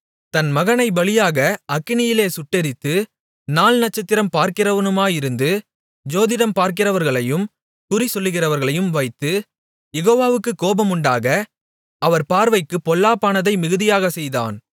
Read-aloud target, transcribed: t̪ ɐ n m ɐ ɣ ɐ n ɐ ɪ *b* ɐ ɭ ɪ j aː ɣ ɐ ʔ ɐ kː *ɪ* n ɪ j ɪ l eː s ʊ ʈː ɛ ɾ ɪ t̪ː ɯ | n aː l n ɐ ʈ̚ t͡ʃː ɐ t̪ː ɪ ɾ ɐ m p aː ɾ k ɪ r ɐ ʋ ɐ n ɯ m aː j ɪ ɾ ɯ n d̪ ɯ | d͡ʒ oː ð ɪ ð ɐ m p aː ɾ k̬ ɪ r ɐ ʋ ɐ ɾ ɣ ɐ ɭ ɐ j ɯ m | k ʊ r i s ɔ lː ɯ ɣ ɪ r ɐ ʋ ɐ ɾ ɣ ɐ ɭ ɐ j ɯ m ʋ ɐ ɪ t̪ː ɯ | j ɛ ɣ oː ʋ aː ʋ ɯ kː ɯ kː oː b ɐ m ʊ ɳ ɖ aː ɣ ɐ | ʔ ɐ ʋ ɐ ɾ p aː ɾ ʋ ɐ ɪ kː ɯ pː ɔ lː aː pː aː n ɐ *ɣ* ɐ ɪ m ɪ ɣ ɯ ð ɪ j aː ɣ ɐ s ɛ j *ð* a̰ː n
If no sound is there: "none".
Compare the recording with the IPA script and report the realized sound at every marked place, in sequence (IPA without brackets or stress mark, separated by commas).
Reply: b, ɪ, ð, ð